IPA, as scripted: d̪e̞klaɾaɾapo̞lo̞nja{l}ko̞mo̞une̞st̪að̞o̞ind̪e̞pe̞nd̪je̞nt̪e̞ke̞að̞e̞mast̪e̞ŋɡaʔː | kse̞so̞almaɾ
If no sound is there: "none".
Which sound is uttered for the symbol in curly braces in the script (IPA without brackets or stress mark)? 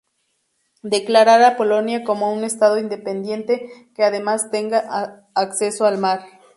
none